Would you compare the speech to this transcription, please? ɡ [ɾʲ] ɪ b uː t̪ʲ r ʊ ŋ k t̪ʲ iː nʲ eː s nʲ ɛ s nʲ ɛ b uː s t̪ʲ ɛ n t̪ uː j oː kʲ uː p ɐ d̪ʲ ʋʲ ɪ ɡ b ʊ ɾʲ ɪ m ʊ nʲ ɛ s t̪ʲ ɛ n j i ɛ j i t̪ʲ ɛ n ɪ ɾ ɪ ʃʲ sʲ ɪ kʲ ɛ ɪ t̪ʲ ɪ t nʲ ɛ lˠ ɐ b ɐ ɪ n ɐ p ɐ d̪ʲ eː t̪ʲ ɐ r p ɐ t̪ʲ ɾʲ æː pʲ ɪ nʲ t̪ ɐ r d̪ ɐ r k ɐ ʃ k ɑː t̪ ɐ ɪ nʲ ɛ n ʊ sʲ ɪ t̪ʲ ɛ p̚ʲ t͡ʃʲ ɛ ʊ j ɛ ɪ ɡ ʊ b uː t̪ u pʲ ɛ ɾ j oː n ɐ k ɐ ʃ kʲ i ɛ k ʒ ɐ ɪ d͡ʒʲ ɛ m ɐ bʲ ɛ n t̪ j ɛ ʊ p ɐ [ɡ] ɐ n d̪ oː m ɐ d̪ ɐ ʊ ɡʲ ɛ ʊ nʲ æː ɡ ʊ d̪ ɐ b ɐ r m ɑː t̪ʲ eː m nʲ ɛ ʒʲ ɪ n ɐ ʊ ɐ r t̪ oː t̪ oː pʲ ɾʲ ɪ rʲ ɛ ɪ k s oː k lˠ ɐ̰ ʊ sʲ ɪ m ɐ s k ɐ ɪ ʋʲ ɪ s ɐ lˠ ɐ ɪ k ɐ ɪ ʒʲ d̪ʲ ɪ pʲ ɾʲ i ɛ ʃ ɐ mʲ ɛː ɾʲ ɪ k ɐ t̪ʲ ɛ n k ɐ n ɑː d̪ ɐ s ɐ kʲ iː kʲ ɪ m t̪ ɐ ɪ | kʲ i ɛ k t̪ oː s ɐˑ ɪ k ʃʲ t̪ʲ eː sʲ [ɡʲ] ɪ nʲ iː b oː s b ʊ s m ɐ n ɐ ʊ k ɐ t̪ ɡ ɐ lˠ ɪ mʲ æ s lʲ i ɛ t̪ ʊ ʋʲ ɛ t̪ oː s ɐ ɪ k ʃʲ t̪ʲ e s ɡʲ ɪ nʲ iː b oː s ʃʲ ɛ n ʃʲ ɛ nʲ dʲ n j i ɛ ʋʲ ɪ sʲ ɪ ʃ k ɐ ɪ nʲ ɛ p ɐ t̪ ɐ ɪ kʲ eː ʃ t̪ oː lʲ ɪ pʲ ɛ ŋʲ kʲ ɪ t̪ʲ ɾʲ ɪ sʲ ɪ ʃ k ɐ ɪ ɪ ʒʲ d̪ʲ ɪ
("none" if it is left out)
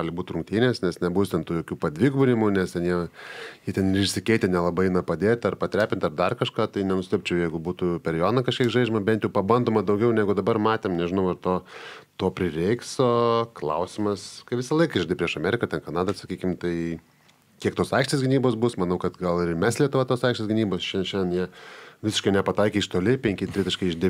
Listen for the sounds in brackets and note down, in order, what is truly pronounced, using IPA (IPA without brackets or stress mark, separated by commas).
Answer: lʲ, b, ɡʲ